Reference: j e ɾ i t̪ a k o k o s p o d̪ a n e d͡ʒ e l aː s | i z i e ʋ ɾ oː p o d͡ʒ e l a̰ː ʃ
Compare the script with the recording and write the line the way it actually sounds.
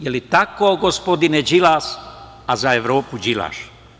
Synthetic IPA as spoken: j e l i t̪ a k o ɡ o s p o d̪ i n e d͡ʒ i l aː s | a z a e ʋ ɾ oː p u d͡ʒ i l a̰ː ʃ